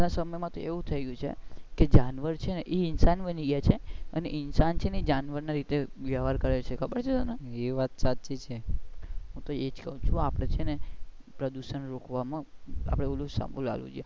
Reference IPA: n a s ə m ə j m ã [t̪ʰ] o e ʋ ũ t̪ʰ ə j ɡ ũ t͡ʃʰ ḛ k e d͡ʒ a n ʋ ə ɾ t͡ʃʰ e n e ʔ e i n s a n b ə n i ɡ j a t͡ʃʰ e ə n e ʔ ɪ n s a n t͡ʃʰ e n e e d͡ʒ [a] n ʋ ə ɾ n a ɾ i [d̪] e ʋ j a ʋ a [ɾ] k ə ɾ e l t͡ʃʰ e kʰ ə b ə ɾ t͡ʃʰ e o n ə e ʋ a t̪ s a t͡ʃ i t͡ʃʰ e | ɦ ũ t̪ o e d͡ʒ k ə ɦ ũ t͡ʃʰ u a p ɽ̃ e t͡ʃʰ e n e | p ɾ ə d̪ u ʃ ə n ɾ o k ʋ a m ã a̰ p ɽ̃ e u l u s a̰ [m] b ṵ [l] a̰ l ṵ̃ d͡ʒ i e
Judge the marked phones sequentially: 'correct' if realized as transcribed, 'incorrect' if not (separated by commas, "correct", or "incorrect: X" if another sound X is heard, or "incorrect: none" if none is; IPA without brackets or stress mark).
incorrect: t̪, correct, incorrect: t̪, correct, correct, correct